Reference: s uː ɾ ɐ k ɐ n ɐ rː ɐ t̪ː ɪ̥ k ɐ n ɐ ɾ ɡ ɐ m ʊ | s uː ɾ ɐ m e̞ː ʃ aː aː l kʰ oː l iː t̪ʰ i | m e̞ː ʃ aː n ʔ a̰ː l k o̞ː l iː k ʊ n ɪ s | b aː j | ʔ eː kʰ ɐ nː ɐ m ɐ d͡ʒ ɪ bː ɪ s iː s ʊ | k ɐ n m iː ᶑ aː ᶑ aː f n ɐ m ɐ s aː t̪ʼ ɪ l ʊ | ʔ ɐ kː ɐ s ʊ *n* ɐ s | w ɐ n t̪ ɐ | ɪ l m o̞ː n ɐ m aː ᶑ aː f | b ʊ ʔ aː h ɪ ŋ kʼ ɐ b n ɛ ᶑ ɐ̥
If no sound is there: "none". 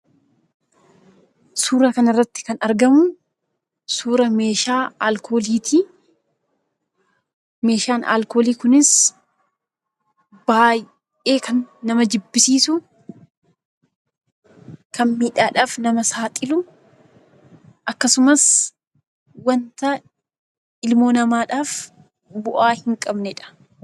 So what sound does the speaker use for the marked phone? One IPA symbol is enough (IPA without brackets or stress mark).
m